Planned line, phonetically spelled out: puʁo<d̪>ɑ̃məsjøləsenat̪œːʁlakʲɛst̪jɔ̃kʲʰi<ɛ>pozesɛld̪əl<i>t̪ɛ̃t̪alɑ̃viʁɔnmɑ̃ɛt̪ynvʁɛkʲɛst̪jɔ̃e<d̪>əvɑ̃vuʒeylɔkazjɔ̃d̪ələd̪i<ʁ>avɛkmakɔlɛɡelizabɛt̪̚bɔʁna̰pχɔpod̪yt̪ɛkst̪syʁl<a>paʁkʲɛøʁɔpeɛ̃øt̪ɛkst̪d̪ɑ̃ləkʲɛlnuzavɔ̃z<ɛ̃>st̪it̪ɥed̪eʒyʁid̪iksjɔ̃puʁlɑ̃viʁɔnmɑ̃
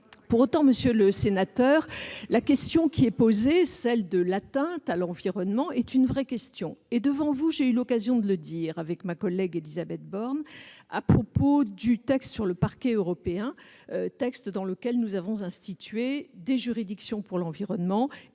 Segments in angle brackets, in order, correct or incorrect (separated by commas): incorrect, correct, incorrect, correct, correct, incorrect, correct